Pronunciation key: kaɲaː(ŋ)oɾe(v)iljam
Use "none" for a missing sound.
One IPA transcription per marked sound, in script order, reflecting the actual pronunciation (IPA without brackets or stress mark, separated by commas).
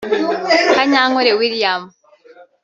ŋ, w